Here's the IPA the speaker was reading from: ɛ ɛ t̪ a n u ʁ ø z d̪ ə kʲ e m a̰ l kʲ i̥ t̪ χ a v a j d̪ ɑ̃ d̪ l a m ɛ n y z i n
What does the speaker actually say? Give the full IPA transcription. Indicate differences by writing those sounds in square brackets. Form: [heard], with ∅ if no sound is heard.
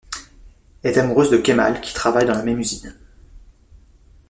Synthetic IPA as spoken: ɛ ɛ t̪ a [m] u ʁ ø z d̪ ə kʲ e m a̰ l kʲ i̥ t̪ χ a v a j d̪ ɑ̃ [∅] l a m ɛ [m] y z i n

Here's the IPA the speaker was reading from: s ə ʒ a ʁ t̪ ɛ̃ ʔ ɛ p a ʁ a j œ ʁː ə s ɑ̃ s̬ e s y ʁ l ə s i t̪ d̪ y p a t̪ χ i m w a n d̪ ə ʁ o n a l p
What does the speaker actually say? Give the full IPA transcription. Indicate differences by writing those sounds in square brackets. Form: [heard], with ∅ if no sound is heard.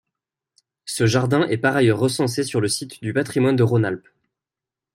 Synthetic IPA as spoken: s ə ʒ a ʁ [d̪] ɛ̃ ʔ ɛ p a ʁ a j œ ʁː ə s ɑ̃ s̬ e s y ʁ l ə s i t̪ d̪ y p a t̪ χ i m w a n d̪ ə ʁ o n a l p

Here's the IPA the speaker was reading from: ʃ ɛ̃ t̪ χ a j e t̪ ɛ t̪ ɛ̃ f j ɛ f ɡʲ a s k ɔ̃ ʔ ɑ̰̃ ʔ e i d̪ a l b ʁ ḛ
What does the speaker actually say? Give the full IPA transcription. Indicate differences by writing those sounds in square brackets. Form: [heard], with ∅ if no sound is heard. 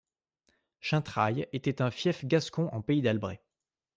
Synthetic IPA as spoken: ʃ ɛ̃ t̪ χ a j e t̪ ɛ t̪ ɛ̃ f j ɛ f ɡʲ a s k ɔ̃ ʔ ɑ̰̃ [p] e i d̪ a l b ʁ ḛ

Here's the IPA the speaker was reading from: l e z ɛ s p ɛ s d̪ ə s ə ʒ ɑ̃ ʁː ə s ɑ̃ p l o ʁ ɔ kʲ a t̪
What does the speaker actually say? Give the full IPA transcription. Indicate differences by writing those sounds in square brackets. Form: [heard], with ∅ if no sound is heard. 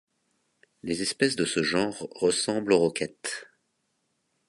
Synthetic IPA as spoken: l e z ɛ s p ɛ s d̪ ə s ə ʒ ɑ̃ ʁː ə s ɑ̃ [b] l o ʁ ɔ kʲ [ɛ] t̪

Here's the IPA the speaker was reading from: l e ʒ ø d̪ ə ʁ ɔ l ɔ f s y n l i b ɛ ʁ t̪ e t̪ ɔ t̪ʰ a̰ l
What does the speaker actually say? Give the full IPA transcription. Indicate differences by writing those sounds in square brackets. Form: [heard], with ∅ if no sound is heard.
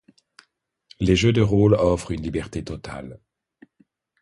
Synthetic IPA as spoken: l e ʒ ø d̪ ə ʁ [o] l ɔ f [χ] y n l i b ɛ ʁ t̪ e t̪ ɔ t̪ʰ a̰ l

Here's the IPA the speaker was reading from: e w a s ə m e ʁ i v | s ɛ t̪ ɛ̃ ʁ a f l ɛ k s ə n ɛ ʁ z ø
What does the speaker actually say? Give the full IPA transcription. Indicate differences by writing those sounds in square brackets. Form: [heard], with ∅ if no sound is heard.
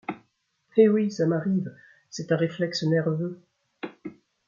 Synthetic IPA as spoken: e w [i] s [a] m [a] ʁ i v | s ɛ t̪ ɛ̃ ʁ [e] f l ɛ k s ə n ɛ ʁ [v] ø

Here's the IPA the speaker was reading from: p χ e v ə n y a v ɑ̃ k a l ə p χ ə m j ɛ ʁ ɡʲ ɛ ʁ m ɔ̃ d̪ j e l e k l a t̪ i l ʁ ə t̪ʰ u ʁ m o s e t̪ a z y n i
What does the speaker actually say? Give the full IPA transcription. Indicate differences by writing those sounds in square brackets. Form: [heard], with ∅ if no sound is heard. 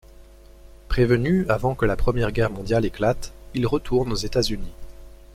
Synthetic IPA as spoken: p χ e v ə n y a v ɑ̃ k [ə] l [a] p χ ə m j ɛ ʁ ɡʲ ɛ ʁ m ɔ̃ d̪ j [a] l e k l a t̪ i l ʁ ə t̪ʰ u ʁ [n] o [z] e t̪ a z y n i

